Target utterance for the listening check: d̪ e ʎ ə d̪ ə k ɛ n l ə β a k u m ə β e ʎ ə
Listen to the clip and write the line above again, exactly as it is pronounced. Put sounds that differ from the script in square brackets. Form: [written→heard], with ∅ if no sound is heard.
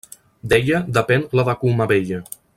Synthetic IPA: d̪ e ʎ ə d̪ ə [k→p] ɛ n l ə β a k u m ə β e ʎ ə